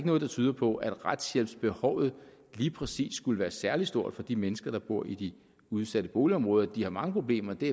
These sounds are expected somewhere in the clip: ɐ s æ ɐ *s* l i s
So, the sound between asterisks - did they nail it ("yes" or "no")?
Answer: no